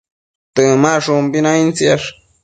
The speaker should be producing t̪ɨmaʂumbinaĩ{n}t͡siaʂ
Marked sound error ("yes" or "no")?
no